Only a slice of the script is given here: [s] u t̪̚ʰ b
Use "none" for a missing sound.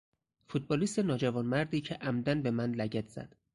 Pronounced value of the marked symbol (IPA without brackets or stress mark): f